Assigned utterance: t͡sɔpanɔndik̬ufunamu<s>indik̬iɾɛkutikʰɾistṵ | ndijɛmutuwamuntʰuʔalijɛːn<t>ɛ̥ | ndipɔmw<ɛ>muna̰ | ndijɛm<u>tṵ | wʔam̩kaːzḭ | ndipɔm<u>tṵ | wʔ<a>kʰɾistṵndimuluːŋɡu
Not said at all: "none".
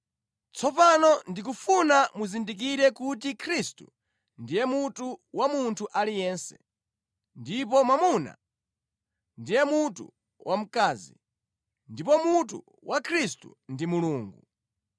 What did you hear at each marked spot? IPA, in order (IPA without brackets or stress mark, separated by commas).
z, s, a, u, u, a